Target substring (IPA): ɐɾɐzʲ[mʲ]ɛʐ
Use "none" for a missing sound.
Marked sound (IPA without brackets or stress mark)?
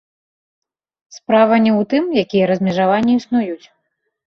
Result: mʲ